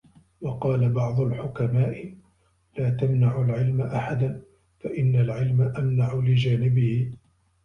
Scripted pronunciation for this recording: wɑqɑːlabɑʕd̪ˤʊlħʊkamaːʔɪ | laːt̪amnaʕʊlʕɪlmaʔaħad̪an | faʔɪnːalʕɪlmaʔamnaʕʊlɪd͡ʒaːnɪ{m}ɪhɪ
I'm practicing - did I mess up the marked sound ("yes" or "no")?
yes